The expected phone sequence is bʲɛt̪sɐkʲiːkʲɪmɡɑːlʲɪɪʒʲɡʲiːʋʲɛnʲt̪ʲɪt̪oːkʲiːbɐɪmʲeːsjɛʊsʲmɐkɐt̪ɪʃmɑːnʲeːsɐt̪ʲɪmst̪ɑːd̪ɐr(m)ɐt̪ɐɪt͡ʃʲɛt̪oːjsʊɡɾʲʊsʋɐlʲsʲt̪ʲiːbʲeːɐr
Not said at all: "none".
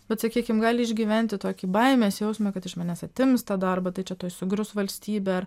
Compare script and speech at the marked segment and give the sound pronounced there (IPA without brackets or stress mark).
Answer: b